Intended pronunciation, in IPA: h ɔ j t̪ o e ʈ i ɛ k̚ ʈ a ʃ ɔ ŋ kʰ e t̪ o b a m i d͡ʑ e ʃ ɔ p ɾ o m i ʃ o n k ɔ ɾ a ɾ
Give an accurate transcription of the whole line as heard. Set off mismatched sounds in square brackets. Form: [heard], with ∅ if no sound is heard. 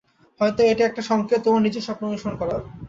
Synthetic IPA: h ɔ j t̪ o e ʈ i ɛ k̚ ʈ a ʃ ɔ ŋ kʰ e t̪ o [m] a [n] i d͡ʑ e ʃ ɔ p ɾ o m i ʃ o n k ɔ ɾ a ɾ

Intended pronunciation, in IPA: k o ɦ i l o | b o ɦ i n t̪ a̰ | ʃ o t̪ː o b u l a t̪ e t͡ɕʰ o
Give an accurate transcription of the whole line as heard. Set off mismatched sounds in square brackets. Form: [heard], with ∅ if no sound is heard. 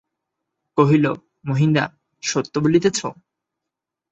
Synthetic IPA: k o ɦ i l o | [m] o ɦ i n [d̪] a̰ | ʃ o t̪ː o b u l [i] t̪ e t͡ɕʰ o

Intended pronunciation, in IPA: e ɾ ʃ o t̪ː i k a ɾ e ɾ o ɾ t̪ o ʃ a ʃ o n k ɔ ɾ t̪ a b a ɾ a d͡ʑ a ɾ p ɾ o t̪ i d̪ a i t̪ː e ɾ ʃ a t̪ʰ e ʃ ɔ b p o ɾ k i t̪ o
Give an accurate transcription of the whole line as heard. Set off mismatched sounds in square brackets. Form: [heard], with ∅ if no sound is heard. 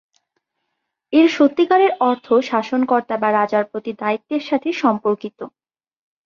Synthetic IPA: e ɾ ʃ o t̪ː i k a ɾ e ɾ [ɔ] ɾ [t̪ʰ] o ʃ a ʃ o n k ɔ ɾ t̪ a b a ɾ a d͡ʑ a ɾ p ɾ o t̪ i d̪ a i t̪ː e ɾ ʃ a t̪ʰ e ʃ ɔ [m] p o ɾ k i t̪ o

